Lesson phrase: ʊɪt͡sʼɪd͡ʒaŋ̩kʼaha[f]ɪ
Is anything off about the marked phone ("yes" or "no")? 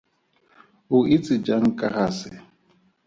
yes